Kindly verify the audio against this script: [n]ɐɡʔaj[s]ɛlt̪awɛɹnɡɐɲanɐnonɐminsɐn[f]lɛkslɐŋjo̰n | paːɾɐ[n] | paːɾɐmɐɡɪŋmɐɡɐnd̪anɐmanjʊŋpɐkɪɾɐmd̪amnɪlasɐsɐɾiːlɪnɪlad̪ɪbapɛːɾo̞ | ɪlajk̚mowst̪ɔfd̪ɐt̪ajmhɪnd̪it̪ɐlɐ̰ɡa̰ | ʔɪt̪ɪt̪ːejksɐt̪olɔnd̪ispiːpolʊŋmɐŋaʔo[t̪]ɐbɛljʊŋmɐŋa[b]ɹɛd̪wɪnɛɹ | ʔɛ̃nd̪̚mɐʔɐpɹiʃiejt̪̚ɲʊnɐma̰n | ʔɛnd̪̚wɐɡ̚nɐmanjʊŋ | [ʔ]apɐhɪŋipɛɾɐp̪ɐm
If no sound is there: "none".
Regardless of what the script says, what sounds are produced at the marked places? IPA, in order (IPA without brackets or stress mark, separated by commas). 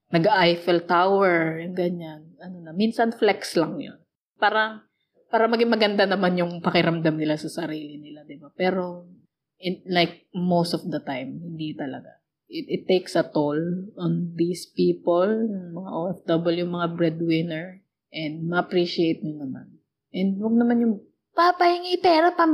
n, f, f, ŋ, d̪, b, p